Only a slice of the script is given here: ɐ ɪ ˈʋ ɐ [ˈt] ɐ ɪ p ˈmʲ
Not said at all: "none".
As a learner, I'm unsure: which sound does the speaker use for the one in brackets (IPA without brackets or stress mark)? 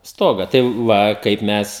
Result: k